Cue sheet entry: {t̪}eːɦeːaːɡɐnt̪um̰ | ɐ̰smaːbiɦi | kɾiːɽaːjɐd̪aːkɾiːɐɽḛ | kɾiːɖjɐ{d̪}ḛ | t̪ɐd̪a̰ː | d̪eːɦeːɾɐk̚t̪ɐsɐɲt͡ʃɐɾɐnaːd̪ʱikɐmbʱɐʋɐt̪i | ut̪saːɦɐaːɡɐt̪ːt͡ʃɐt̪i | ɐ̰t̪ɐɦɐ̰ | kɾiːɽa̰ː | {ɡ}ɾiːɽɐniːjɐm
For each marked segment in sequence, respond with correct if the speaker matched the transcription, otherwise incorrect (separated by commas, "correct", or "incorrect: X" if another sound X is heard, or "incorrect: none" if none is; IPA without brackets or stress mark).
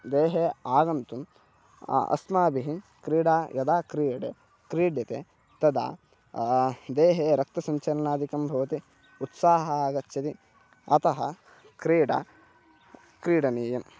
incorrect: d̪, incorrect: t̪, incorrect: k